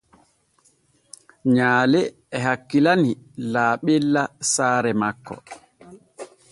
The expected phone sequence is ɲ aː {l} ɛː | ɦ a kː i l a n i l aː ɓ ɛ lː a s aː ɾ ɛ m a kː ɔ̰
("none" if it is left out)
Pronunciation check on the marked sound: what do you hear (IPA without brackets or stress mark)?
l